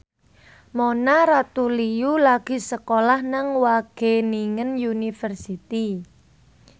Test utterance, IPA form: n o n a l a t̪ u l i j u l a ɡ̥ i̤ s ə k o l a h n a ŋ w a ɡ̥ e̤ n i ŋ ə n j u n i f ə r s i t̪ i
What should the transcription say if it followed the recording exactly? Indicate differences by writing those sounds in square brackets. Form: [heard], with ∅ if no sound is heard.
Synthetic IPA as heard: [m] o n a [ɾ] a t̪ u l i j u l a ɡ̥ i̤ s ə k o l a h n a ŋ w a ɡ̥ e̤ n i ŋ ə n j u n i f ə r s i t̪ i